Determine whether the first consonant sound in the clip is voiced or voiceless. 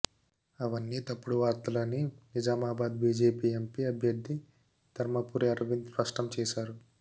voiced